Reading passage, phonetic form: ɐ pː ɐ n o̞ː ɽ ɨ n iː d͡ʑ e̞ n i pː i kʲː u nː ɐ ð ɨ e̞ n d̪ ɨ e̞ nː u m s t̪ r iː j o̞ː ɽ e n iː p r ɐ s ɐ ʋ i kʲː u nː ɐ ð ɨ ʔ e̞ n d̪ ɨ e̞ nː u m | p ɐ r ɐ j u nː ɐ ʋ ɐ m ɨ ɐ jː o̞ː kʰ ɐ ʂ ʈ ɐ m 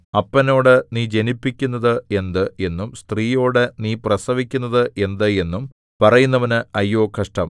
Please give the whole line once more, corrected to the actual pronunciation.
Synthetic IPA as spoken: ɐ pː ɐ n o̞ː ɽ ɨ n iː d͡ʑ e̞ n i pː i kʲː u nː ɐ ð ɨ e̞ n d̪ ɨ e̞ nː u m s t̪ r iː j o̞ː ɽ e n iː p r ɐ s ɐ ʋ i kʲː u nː ɐ ð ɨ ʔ e̞ n d̪ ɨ e̞ nː u m | p ɐ r ɐ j u nː ɐ ʋ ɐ n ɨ ɐ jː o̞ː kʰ ɐ ʂ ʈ ɐ m